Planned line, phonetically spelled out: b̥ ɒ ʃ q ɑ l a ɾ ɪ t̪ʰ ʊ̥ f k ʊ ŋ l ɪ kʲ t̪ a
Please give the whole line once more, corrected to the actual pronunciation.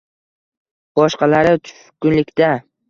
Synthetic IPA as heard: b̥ ɒ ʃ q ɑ l a ɾ ɪ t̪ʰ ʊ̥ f k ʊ n l ɪ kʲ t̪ a